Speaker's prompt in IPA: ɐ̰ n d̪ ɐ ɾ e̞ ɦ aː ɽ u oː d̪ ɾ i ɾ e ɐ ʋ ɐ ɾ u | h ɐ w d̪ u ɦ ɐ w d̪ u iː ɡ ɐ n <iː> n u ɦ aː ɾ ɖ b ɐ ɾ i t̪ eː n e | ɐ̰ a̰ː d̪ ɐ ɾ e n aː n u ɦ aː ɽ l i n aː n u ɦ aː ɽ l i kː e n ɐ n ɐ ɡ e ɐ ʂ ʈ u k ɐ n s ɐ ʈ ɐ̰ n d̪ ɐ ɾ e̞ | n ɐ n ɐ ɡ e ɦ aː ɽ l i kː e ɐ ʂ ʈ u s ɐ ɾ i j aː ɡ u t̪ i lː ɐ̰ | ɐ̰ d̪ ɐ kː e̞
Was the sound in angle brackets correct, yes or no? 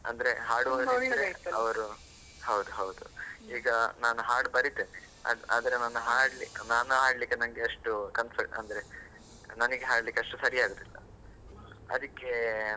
no